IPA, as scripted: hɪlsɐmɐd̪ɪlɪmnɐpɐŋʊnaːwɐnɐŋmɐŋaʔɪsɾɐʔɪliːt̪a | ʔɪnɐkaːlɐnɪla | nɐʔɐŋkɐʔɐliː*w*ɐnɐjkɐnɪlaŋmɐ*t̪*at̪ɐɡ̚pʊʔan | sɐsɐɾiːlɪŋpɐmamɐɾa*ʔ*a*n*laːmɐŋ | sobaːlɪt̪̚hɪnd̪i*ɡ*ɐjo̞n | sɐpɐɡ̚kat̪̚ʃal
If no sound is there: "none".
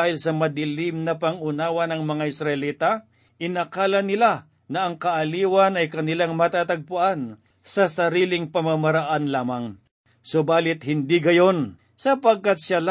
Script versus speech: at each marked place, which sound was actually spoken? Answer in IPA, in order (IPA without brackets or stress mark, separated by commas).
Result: w, t̪, ʔ, n, ɡ